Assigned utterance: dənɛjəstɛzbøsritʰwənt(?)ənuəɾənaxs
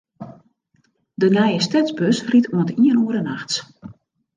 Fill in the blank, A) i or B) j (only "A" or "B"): A